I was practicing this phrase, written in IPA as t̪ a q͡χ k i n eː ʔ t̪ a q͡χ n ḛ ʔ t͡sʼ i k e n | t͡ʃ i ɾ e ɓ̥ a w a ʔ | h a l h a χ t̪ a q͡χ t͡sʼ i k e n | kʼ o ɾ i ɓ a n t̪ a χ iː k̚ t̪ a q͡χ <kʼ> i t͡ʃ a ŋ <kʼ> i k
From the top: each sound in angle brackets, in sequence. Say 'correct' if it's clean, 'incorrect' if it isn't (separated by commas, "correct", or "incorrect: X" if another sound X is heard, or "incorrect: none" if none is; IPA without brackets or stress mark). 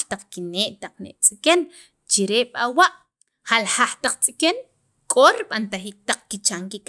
incorrect: k, incorrect: k